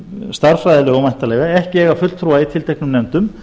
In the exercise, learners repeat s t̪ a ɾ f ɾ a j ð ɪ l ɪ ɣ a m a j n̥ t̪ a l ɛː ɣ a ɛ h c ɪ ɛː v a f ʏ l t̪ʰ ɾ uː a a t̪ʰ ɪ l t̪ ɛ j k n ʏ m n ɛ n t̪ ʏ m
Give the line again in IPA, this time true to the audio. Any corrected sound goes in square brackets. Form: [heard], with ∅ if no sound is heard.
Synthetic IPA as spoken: s t̪ a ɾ f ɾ a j ð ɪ l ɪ ɣ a m a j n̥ t̪ a l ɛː ɣ a ɛ h c ɪ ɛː [ɣ] a f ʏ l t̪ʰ ɾ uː a [i] t̪ʰ ɪ l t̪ ɛ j k n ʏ m n ɛ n t̪ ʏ m

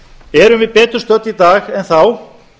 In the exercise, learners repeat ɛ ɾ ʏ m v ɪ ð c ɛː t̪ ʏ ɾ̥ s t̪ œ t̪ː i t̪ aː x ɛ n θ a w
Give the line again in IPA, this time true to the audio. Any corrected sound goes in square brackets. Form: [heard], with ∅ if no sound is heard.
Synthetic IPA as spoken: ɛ ɾ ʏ m v ɪ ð [p] ɛː t̪ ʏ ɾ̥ s t̪ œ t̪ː i t̪ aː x ɛ n θ a w

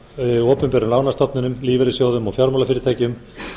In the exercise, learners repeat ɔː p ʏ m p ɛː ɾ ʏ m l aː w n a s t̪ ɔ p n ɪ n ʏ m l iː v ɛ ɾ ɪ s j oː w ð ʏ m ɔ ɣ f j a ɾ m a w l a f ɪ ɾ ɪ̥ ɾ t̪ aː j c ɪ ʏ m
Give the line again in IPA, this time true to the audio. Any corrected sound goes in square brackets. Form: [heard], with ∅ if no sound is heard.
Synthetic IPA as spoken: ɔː p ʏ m p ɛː ɾ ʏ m l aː w n a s t̪ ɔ p n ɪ n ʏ m l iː v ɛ ɾ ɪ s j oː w ð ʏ m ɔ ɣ f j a ɾ m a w l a f ɪ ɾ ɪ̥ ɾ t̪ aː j c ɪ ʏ m

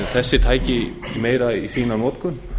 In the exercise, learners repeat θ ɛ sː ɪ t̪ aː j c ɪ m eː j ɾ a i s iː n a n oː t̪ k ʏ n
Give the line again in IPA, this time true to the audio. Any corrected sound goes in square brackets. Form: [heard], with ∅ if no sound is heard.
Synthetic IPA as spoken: θ ɛ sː ɪ [t̪ʰ] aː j c ɪ m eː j ɾ a i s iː n a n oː t̪ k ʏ n

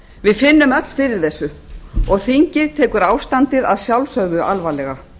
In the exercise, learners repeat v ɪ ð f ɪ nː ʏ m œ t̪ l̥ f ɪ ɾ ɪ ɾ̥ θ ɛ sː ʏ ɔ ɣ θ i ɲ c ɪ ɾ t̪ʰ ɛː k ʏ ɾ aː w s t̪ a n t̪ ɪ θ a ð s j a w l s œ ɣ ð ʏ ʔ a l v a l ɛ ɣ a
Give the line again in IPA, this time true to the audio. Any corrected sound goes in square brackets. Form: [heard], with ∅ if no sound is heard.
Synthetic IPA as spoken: v ɪ ð f ɪ nː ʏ m œ t̪ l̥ f ɪ ɾ ɪ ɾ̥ θ ɛ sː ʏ ɔ ɣ θ i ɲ c ɪ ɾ t̪ʰ ɛː k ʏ ɾ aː w s t̪ a n t̪ ɪ [ð] a ð s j a w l s œ ɣ ð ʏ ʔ a l v a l ɛ ɣ a

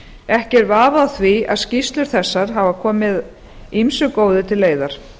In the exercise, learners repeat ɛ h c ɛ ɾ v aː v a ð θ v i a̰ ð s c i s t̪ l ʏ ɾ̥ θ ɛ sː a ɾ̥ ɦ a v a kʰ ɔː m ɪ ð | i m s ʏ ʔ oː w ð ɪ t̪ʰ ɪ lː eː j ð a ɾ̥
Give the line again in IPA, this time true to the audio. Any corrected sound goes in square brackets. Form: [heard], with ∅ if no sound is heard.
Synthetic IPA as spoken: ɛ h c ɛ ɾ v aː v a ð θ v i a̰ ð s c i s t̪ l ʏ ɾ̥ θ ɛ sː a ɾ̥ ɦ a v a kʰ ɔː m ɪ ð | i m s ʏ [k] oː w ð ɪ t̪ʰ ɪ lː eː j ð a ɾ̥

